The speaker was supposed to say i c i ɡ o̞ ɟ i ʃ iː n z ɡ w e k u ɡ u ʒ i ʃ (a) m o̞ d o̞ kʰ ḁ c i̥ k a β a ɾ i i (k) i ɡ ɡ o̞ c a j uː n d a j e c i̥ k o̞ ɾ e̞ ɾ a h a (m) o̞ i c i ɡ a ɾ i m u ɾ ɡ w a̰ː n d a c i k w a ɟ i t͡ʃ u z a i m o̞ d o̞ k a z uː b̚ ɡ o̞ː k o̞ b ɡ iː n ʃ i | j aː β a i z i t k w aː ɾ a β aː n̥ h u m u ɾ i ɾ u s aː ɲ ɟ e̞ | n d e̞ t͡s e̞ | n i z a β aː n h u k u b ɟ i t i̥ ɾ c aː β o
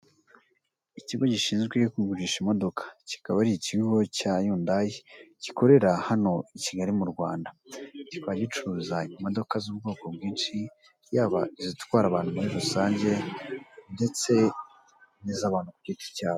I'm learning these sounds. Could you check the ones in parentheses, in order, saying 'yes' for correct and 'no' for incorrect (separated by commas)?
no, no, no